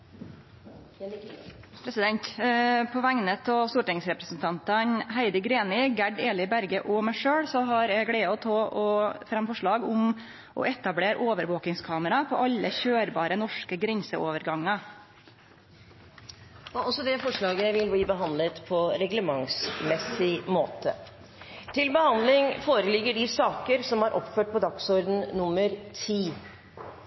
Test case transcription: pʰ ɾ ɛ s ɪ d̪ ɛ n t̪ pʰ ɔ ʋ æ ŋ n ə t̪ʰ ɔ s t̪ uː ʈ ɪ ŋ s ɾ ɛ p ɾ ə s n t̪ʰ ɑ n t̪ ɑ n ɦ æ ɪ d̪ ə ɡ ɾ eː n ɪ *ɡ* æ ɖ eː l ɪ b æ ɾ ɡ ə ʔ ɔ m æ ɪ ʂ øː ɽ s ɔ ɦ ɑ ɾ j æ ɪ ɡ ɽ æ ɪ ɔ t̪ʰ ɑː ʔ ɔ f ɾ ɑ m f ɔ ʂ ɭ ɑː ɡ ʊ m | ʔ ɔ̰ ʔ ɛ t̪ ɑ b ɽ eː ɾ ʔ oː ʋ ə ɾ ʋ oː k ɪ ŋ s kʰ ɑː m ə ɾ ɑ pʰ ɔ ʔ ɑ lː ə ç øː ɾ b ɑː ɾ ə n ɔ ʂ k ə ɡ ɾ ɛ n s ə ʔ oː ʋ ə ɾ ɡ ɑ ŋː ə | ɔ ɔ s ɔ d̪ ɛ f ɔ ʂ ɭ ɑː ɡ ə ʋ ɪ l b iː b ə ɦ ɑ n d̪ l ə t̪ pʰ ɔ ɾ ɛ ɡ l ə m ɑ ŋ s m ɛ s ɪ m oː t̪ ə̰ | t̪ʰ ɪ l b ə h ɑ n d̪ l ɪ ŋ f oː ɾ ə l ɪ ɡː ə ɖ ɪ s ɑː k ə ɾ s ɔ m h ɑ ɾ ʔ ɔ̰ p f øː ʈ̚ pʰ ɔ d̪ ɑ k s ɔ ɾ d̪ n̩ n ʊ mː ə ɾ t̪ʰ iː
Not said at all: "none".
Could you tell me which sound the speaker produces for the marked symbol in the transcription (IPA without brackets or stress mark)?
ɡ